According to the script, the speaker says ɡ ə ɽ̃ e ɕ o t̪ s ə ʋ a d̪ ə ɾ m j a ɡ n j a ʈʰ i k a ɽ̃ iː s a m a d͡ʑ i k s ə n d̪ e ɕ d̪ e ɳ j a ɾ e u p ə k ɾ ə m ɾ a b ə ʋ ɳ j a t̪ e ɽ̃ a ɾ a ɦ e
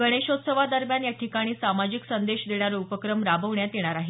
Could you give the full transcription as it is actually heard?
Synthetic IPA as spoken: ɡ ə ɽ̃ e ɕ o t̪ s ə ʋ a d̪ ə ɾ m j a n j a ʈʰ i k a ɽ̃ iː s a m a d͡ʑ i k s ə n d̪ e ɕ d̪ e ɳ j a ɾ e u p ə k ɾ ə m ɾ a b ə ʋ ɳ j a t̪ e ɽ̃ a ɾ a ɦ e